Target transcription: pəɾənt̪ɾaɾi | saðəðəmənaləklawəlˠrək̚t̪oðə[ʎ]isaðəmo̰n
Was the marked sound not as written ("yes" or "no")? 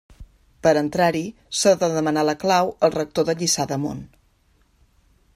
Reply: no